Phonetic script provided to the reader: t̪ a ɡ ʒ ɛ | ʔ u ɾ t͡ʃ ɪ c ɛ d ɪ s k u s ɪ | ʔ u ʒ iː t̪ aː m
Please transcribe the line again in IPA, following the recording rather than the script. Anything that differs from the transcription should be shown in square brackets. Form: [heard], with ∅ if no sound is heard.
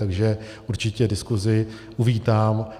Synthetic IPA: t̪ a ɡ ʒ ɛ | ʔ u ɾ t͡ʃ ɪ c ɛ d ɪ s k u [z] ɪ | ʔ u [v] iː t̪ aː m